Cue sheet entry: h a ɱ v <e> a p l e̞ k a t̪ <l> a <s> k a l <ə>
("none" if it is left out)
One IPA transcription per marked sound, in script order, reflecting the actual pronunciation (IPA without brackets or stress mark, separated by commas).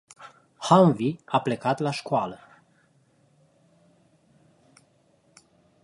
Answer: i, l, ʃ, ə